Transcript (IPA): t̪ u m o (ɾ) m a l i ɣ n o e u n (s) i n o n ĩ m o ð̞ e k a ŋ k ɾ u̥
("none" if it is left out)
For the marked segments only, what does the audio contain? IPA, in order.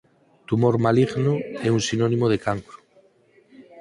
ɾ, s

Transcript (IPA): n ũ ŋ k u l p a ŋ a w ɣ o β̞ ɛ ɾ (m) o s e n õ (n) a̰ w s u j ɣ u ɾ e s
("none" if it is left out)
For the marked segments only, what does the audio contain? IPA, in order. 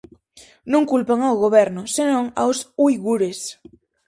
n, ŋ

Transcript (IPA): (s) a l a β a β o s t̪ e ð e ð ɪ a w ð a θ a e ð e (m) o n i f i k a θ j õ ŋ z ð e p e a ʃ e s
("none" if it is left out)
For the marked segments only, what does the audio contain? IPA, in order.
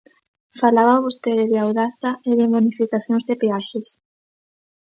f, m

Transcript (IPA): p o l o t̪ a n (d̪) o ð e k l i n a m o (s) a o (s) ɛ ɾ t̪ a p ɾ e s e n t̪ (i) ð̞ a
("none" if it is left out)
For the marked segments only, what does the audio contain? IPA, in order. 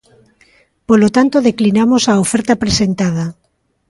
t̪, s, f, a

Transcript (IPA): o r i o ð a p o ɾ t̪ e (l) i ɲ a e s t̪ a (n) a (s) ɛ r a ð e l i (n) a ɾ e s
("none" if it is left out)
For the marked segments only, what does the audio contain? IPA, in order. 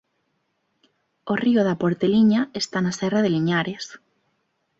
l, n, s, ɲ

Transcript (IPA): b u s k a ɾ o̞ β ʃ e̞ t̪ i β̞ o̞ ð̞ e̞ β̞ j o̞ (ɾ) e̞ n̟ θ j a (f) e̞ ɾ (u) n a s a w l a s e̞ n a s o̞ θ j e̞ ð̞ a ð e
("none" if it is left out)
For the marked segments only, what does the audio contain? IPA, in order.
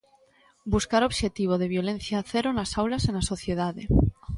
l, θ, o

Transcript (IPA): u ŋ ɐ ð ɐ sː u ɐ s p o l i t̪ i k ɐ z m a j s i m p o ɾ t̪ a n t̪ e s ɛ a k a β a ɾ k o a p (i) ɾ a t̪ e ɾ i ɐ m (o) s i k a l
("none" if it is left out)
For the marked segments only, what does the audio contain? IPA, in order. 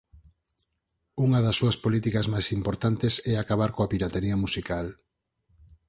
i, u

